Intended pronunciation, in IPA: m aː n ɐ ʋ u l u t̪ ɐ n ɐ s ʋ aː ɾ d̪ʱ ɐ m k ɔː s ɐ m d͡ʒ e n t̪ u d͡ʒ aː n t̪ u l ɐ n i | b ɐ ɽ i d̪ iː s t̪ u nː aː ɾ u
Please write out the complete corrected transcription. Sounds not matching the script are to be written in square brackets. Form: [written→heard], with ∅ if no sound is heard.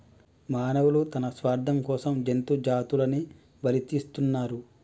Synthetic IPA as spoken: m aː n ɐ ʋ u l u t̪ ɐ n ɐ s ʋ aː ɾ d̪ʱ ɐ m k ɔː s ɐ m d͡ʒ e n t̪ u d͡ʒ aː [n→∅] t̪ u l ɐ n i | b ɐ [ɽ→l] i [d̪→t̪] iː s t̪ u nː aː ɾ u